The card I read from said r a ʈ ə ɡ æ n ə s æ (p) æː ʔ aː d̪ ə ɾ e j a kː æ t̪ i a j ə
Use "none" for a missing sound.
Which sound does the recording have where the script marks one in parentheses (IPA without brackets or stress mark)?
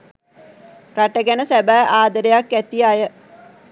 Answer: b